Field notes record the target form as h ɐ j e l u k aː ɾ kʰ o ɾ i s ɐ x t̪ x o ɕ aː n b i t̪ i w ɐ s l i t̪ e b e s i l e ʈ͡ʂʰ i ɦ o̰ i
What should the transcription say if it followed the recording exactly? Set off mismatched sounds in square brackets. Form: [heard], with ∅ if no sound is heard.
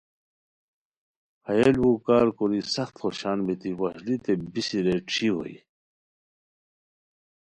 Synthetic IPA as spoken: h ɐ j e l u k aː ɾ [k] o ɾ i s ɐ x t̪ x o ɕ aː n b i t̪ i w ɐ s l i t̪ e b [i] s i [ɾ] e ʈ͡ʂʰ i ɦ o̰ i